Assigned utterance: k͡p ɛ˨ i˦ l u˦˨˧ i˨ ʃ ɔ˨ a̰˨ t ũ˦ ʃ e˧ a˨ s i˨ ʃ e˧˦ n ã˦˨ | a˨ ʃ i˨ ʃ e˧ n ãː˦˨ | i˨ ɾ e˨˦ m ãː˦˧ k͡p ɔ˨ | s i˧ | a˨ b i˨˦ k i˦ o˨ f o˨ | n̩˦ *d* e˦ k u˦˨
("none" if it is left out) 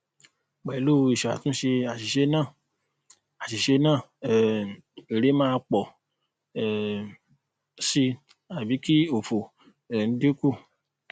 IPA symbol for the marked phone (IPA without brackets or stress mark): d